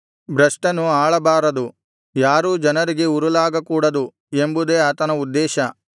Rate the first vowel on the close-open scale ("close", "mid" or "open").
open